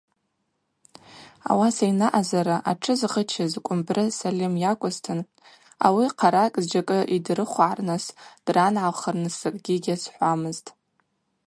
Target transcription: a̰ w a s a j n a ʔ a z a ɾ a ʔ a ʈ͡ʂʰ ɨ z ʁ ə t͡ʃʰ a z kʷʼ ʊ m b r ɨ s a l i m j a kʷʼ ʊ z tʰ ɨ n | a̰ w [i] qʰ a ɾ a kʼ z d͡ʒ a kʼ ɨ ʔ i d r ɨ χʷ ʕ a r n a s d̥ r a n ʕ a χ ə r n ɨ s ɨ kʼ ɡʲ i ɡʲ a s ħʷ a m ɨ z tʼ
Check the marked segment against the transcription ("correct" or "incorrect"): correct